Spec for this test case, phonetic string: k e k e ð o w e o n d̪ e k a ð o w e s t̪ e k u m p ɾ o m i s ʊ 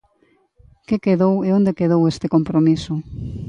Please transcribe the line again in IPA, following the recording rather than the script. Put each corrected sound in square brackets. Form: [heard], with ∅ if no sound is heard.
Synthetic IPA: k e k e ð o w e o n d̪ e k [e] ð o w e s t̪ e k [o] m p ɾ o m i s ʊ